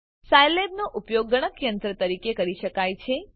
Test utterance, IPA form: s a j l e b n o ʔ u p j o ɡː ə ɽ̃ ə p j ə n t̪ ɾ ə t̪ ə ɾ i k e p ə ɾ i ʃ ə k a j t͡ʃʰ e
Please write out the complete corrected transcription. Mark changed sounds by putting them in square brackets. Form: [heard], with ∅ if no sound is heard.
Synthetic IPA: s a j l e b n o ʔ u p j o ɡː ə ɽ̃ ə [k] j ə n t̪ ɾ ə t̪ ə ɾ i k e [k] ə ɾ i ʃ ə k a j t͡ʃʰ e